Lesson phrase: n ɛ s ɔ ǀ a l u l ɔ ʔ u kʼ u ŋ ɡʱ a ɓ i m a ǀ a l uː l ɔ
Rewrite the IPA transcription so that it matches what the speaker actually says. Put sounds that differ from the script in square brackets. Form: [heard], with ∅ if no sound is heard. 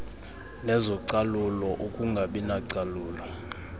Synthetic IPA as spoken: n ɛ [z] ɔ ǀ a l u l ɔ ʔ u kʼ u ŋ ɡʱ a ɓ i [n] a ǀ a l uː l ɔ